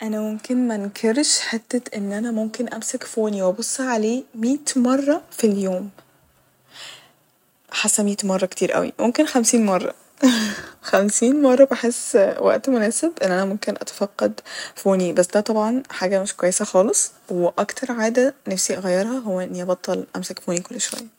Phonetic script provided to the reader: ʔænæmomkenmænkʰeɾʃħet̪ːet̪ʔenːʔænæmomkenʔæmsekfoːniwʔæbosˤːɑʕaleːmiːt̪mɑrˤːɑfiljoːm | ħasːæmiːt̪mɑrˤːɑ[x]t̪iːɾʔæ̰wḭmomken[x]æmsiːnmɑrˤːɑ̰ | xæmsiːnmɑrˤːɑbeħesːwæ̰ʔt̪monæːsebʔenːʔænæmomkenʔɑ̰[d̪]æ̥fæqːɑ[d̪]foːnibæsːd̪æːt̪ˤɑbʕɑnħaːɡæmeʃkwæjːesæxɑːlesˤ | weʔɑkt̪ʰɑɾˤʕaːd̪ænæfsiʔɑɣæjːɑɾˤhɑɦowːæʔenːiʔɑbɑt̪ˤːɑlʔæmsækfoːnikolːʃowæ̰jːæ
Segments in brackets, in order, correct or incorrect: incorrect, correct, incorrect, correct

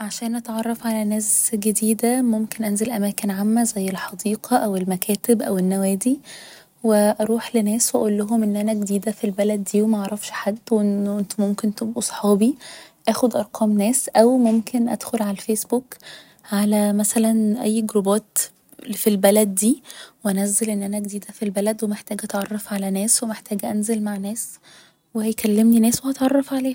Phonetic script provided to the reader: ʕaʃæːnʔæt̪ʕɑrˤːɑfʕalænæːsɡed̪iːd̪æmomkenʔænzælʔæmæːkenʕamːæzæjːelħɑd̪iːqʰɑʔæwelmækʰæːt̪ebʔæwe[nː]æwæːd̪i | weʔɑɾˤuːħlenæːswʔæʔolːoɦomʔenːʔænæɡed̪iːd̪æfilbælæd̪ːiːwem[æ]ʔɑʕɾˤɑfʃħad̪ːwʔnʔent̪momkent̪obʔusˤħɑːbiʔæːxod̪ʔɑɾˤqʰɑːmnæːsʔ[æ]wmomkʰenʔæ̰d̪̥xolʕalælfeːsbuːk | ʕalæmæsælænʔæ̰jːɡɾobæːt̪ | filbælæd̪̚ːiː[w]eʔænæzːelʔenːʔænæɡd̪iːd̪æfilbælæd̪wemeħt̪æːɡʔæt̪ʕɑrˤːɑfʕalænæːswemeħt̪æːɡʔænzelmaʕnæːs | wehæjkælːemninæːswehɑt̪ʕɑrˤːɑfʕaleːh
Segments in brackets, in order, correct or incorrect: correct, correct, correct, correct

